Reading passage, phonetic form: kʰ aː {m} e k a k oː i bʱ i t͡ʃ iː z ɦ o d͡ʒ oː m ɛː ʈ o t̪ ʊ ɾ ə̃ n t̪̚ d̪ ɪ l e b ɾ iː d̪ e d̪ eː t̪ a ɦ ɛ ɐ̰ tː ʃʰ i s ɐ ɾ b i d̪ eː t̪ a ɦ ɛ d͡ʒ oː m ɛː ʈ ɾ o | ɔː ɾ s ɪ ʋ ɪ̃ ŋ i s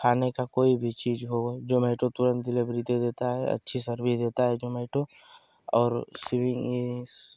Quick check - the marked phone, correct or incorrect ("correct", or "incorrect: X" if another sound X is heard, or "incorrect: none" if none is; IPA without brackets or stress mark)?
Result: incorrect: n